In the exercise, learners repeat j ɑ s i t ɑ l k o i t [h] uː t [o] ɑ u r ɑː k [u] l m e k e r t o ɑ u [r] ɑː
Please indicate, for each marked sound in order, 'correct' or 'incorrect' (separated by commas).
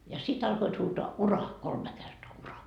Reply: correct, correct, incorrect, correct